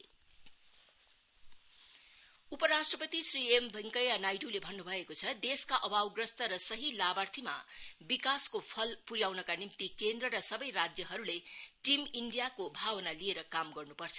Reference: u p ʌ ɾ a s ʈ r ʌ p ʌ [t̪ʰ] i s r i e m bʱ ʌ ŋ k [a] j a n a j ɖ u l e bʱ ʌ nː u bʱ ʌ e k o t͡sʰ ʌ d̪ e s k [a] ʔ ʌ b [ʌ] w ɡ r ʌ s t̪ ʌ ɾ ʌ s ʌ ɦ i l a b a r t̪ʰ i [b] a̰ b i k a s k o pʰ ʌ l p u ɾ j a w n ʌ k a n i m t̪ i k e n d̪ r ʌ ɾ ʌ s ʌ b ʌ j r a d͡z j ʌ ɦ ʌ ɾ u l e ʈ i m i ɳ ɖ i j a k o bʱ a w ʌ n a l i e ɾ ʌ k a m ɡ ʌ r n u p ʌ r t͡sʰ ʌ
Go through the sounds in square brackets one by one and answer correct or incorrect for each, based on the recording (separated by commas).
incorrect, incorrect, correct, incorrect, incorrect